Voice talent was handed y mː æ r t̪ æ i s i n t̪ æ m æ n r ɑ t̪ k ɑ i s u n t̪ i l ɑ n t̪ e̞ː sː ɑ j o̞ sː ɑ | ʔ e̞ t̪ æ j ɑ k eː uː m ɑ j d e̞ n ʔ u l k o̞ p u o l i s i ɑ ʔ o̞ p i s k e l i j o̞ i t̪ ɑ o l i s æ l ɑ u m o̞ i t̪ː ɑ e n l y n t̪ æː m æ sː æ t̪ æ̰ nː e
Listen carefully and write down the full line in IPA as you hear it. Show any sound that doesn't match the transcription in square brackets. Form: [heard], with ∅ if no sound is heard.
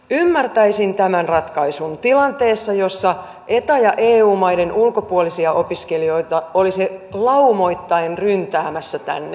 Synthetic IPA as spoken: y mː æ r t̪ æ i s i n t̪ æ m æ n r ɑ t̪ k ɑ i s u n t̪ i l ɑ n t̪ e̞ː sː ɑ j o̞ sː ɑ | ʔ e̞ t̪ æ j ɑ [ʔ] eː uː m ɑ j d e̞ n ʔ u l k o̞ p u o l i s i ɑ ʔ o̞ p i s k e l i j o̞ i t̪ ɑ o l i s [e] l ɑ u m o̞ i t̪ː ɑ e n [r] y n t̪ æː m æ sː æ t̪ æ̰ nː e